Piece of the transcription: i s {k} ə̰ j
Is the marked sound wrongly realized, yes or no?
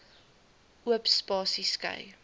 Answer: no